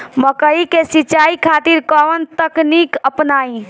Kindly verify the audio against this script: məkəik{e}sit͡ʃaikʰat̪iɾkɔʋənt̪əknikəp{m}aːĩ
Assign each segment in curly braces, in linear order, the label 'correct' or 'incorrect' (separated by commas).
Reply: correct, incorrect